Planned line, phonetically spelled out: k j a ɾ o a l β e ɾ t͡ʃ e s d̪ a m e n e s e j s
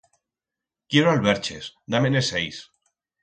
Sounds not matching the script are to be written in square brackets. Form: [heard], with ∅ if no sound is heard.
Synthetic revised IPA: k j [e] ɾ o a l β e ɾ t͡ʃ e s d̪ a m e n e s e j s